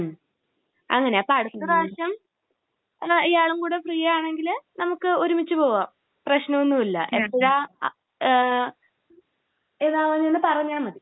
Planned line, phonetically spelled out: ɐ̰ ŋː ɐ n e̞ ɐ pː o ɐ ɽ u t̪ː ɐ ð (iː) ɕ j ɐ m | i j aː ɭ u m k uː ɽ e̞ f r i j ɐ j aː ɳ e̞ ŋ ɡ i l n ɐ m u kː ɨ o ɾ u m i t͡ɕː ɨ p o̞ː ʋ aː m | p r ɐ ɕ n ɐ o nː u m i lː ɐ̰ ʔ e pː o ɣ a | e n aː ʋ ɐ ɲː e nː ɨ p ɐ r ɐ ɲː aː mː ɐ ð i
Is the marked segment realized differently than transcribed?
yes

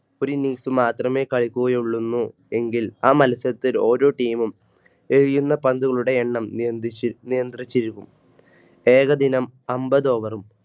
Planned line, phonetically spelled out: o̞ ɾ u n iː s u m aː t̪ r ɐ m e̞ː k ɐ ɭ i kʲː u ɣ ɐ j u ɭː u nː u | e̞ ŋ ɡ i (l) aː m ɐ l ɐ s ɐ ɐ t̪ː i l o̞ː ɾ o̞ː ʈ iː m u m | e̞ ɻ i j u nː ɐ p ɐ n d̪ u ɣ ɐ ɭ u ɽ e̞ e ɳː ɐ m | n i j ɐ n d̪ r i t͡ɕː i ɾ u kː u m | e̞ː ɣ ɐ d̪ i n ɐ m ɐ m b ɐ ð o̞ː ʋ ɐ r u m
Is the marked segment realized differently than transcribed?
no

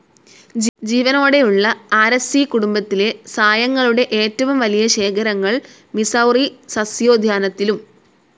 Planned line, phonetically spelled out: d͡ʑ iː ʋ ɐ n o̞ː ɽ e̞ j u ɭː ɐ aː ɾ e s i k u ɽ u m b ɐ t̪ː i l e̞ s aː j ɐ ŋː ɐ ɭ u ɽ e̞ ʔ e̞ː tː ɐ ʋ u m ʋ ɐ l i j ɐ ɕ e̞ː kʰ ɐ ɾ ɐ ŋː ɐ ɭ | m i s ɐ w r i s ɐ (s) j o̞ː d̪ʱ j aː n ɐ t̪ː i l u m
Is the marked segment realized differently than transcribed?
no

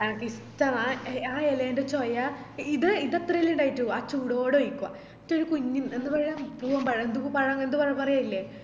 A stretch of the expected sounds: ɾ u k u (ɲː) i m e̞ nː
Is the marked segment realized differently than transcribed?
no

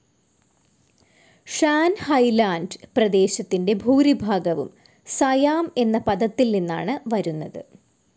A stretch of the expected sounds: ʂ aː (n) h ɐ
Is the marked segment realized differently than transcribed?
no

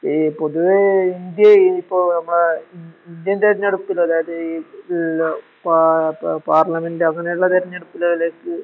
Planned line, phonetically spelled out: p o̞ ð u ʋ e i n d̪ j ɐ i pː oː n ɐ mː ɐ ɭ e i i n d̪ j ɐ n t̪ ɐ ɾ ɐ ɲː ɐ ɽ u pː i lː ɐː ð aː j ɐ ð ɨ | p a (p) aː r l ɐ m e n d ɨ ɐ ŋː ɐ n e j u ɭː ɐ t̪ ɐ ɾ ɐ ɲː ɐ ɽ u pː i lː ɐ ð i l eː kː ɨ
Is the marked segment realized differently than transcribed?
no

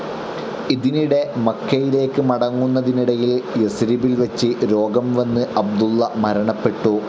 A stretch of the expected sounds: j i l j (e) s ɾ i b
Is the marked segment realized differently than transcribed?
no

